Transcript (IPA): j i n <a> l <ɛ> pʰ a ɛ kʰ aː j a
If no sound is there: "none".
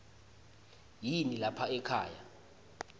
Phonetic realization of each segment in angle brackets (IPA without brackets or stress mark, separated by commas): i, a